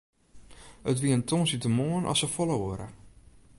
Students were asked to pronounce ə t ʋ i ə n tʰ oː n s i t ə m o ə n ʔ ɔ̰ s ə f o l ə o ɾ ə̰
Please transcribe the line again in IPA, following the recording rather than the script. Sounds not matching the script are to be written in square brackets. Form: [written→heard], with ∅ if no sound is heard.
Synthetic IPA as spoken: ə t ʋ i ə n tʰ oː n s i t ə m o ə n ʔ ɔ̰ s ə f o l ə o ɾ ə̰